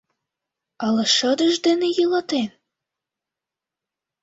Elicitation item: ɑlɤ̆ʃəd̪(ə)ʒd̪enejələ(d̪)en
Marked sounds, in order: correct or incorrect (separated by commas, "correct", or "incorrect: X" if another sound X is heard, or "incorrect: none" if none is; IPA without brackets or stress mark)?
correct, incorrect: t̪